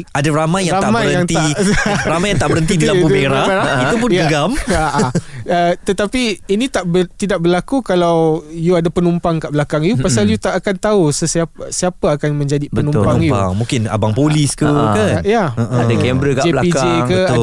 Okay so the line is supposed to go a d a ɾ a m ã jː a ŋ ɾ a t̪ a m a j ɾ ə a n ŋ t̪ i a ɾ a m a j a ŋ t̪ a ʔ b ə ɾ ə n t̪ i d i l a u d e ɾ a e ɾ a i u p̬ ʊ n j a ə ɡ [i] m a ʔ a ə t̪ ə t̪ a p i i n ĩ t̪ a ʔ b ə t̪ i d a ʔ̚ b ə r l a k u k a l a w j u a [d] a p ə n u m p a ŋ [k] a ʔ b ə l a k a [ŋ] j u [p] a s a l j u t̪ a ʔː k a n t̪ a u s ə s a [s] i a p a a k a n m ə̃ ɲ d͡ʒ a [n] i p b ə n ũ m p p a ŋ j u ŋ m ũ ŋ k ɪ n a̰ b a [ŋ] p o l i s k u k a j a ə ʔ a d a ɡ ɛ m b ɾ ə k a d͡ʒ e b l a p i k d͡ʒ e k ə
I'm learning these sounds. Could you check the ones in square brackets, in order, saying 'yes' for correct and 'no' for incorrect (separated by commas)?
no, yes, yes, yes, yes, yes, no, yes